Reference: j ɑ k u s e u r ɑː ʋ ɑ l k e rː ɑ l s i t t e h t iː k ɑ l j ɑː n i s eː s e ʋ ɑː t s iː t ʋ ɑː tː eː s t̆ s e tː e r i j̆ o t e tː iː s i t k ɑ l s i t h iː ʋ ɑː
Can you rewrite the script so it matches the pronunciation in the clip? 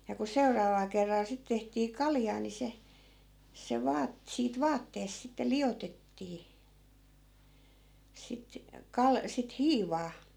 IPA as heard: j ɑ k u s e u r ɑː ʋ ɑ l k e rː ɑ l s i t t e h t iː k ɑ l j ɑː n i s e s e ʋ ɑː t s iː t ʋ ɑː tː eː s t̆ s i tː e l i j̆ o t e tː iː s i t k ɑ l s i t h iː ʋ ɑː